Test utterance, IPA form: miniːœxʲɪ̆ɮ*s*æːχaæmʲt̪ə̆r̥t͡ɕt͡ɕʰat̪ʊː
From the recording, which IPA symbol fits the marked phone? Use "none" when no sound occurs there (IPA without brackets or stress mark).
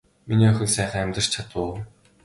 s